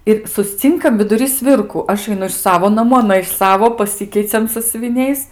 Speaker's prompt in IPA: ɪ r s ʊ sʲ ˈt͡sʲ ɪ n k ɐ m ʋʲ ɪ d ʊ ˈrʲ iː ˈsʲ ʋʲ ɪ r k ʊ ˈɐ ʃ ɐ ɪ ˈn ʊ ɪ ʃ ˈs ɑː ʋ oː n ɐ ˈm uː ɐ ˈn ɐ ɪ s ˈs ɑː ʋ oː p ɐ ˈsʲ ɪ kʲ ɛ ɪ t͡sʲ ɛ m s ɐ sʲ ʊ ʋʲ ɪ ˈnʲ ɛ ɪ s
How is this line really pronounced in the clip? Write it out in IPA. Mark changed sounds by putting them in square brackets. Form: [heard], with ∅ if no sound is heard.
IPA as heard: ɪ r s ʊ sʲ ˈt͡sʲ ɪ [ŋ] k ɐ m ʋʲ ɪ d ʊ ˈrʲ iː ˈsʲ ʋʲ ɪ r k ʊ ˈɐ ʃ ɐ ɪ ˈn ʊ ɪ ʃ ˈs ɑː ʋ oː n ɐ ˈm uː ɐ ˈn ɐ ɪ [ʃ] ˈs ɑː ʋ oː p ɐ ˈsʲ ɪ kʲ ɛ ɪ t͡sʲ ɛ m s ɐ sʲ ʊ ʋʲ ɪ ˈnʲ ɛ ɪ s